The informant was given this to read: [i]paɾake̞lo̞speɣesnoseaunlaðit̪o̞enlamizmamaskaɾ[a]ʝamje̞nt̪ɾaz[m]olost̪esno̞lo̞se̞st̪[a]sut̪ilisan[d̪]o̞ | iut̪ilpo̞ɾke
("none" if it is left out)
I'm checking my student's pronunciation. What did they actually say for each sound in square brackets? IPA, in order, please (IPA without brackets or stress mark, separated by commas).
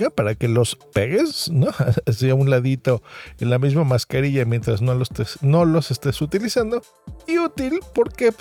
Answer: a, i, n, e, d̪